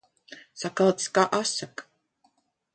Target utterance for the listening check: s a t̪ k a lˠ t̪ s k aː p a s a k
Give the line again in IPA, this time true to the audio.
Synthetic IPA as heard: s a k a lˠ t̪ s k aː ʔ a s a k